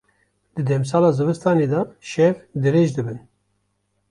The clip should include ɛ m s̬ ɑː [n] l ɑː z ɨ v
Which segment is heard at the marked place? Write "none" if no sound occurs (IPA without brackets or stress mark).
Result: none